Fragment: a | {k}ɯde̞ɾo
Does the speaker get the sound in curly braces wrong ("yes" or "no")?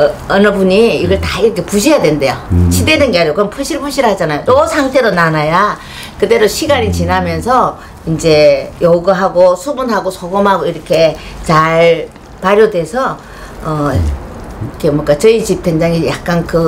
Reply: no